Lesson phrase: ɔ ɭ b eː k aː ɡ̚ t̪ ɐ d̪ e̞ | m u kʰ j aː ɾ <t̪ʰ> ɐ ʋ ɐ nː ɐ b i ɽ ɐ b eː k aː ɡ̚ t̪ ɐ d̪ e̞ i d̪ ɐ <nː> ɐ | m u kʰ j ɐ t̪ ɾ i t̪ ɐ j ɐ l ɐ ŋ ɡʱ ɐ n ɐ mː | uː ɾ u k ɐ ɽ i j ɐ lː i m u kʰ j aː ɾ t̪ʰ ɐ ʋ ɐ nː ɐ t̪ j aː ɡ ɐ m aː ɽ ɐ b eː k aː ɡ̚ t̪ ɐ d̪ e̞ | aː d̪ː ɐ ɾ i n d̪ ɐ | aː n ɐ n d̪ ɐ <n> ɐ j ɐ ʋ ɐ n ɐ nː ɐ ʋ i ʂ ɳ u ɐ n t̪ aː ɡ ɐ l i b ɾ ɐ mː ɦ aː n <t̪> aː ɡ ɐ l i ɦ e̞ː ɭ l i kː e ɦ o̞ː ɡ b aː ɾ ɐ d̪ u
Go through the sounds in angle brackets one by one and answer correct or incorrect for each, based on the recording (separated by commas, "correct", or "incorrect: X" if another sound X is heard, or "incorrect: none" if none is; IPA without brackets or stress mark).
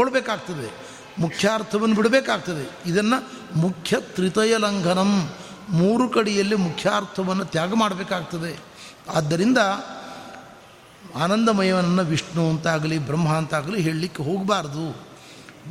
correct, correct, incorrect: m, correct